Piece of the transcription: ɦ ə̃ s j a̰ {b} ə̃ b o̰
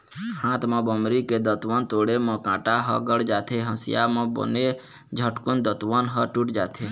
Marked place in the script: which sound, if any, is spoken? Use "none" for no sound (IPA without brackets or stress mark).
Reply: m